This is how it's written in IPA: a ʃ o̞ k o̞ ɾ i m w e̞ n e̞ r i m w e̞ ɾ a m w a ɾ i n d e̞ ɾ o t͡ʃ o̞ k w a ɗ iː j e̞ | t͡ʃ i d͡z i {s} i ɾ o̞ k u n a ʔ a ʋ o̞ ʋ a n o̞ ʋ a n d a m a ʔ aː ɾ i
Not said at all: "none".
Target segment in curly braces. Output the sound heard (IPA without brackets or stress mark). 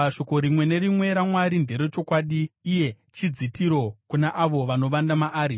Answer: t